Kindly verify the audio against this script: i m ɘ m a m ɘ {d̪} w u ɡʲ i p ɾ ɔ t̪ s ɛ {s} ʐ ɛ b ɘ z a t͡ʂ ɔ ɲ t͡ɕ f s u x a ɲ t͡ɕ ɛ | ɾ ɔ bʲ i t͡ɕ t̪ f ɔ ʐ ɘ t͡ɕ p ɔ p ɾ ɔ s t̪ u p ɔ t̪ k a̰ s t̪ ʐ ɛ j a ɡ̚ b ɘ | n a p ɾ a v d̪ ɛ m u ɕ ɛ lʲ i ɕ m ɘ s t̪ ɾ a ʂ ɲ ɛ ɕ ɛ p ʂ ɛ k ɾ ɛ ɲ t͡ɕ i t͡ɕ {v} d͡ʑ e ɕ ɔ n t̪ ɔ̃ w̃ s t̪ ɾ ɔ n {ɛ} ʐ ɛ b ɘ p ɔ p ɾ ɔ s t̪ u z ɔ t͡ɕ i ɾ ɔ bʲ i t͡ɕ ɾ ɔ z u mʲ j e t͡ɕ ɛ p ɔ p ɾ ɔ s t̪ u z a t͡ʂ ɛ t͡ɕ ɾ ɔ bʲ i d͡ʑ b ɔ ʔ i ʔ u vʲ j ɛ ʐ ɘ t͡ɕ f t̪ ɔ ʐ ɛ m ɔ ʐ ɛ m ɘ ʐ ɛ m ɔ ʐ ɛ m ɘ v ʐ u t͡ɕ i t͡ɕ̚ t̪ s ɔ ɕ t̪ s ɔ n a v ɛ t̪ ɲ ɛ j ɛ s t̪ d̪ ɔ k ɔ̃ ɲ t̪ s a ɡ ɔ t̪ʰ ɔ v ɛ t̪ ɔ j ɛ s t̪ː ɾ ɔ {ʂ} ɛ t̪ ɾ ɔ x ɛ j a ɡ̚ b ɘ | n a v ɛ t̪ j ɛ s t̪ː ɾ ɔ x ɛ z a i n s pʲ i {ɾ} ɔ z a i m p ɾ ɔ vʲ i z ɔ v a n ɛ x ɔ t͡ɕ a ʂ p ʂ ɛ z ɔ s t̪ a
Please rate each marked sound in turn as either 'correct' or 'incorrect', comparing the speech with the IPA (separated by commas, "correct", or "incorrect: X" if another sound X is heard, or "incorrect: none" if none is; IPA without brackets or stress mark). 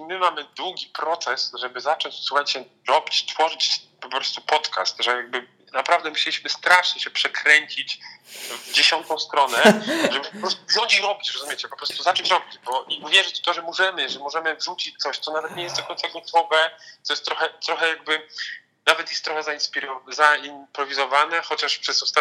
correct, correct, correct, correct, incorrect: x, correct